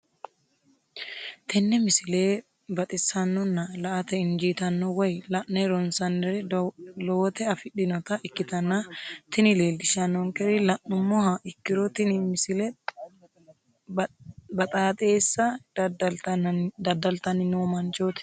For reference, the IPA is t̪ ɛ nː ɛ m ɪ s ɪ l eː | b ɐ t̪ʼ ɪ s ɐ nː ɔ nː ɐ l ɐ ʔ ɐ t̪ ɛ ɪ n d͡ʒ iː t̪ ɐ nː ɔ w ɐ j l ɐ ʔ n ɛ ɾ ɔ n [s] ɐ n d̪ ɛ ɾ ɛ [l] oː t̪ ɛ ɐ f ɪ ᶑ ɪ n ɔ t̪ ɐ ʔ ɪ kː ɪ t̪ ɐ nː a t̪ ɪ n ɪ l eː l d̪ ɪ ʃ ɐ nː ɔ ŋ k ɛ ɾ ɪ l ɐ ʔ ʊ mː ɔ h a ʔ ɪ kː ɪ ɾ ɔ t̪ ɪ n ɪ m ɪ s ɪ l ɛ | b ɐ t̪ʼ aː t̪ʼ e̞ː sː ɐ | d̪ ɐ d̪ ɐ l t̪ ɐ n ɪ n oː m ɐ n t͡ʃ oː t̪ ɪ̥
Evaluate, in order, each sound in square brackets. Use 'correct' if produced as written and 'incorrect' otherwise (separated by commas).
correct, correct